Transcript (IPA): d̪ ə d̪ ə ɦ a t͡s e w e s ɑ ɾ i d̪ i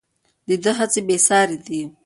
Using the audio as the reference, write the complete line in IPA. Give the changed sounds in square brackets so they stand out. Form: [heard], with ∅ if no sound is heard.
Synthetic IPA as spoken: d̪ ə d̪ ə ɦ a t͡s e [b] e s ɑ ɾ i d̪ i